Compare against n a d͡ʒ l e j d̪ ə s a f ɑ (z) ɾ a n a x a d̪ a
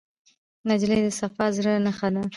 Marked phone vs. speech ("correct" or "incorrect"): correct